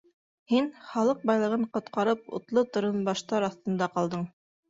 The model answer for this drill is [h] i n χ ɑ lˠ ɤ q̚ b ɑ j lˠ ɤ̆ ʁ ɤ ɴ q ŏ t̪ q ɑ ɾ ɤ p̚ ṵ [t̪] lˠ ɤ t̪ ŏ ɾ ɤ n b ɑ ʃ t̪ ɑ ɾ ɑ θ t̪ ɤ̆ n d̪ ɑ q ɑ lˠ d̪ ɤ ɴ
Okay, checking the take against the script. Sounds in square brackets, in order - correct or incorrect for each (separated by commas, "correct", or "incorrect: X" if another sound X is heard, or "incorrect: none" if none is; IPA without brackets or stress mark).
correct, correct